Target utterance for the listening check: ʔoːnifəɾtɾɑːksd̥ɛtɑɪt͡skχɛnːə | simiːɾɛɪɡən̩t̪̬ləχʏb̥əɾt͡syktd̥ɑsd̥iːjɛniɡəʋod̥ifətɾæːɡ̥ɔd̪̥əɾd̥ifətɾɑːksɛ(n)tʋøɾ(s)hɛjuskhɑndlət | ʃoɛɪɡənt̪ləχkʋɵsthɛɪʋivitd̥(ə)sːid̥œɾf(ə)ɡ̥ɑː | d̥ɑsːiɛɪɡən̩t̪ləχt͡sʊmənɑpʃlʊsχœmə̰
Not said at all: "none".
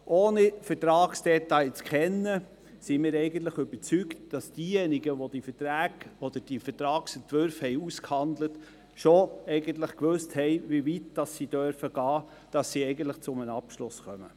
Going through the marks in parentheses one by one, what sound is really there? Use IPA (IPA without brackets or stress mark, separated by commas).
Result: n, f, ɑ, ə